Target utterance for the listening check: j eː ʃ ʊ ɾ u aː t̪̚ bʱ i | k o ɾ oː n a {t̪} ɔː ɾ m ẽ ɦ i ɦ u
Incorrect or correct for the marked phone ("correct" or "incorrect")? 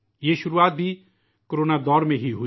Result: incorrect